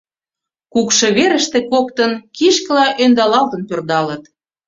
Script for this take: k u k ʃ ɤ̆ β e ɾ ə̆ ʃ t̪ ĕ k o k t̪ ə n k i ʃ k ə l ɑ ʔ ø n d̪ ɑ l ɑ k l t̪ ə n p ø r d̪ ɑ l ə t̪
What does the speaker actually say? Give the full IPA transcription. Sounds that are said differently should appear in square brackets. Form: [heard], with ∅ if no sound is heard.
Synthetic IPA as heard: k u k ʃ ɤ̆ β e ɾ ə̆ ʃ t̪ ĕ k o k t̪ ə n k i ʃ k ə l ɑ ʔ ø n d̪ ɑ l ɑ [∅] l t̪ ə n p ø r d̪ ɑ l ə t̪

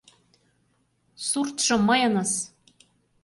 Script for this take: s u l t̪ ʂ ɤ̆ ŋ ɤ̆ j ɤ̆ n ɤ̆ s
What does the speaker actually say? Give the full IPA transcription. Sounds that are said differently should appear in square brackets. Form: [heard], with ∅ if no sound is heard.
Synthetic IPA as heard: s u [r] t̪ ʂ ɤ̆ [m] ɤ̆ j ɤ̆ n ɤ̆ s

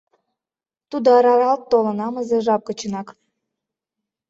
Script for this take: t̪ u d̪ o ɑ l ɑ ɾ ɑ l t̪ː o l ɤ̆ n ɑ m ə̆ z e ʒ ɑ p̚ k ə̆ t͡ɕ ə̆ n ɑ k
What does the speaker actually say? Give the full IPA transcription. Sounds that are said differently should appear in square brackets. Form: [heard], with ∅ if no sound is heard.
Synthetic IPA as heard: t̪ u d̪ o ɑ [ɾ] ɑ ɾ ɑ l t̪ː o l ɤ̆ n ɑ m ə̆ z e ʒ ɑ p̚ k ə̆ t͡ɕ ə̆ n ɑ k

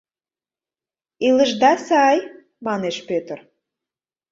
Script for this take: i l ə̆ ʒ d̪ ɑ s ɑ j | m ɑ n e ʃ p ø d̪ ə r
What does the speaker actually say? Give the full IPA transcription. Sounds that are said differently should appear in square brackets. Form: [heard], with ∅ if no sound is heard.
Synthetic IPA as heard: i l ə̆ ʒ d̪ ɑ s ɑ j | m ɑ n e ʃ p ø [t̪] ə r

